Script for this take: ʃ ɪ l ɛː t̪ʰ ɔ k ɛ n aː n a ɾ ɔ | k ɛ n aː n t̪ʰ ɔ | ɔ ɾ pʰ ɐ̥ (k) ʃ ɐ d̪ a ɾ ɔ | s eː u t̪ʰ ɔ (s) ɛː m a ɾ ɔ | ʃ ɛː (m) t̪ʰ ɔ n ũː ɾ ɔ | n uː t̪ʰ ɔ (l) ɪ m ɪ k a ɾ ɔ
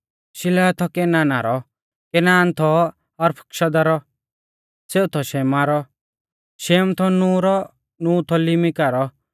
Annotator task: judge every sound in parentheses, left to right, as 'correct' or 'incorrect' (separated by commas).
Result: correct, incorrect, correct, correct